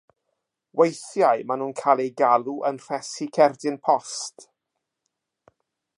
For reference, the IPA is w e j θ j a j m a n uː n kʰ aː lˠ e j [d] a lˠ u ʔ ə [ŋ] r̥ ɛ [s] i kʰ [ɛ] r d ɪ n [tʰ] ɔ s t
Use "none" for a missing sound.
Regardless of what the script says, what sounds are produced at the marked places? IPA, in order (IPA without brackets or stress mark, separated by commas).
ɡ, n, s, ɛ, pʰ